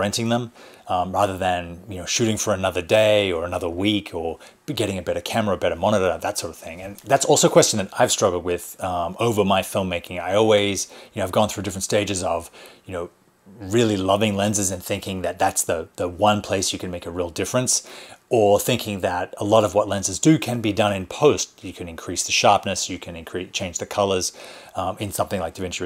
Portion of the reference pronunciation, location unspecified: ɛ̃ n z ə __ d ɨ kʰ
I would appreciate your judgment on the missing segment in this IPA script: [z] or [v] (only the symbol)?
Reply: z